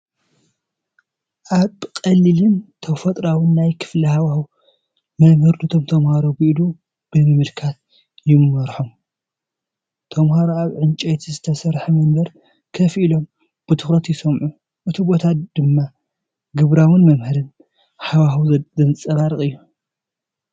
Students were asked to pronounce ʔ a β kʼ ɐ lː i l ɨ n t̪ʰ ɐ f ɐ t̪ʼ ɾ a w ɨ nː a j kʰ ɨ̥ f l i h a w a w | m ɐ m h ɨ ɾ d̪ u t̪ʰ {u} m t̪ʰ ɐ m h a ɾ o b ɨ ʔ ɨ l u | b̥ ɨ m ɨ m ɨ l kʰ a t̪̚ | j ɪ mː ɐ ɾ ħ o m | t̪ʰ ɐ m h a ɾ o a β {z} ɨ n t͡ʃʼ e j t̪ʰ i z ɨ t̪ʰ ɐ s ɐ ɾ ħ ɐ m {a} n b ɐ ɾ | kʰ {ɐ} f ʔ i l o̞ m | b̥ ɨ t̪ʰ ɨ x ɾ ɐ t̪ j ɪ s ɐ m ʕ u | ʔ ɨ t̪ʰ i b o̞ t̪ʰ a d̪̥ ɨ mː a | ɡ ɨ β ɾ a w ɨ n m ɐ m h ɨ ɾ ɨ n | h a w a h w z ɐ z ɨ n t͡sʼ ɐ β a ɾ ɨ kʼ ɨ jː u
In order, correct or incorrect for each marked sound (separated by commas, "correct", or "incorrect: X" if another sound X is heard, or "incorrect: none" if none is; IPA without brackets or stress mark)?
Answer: incorrect: o, incorrect: ʕ, incorrect: ɐ, correct